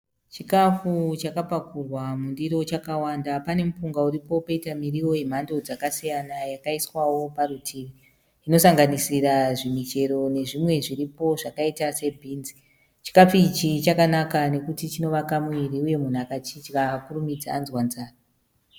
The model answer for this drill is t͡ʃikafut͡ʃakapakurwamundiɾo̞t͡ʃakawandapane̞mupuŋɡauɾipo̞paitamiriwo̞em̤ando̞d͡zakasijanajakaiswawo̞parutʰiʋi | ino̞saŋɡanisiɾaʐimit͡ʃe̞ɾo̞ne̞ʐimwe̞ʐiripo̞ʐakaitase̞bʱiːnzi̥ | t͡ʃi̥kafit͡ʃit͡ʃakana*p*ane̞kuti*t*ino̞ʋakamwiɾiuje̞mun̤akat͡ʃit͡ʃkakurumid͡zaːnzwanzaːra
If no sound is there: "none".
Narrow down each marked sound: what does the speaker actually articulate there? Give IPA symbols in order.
k, t͡ʃ

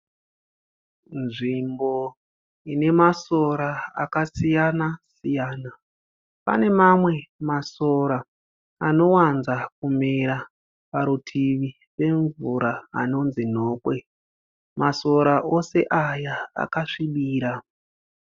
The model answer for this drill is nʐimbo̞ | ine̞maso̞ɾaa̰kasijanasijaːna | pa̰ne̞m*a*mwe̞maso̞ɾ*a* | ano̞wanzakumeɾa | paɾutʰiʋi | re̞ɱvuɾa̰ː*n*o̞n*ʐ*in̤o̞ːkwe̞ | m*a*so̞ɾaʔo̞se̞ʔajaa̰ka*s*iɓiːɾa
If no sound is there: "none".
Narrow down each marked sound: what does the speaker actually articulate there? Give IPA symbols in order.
a, a, n, z, a, ʂ

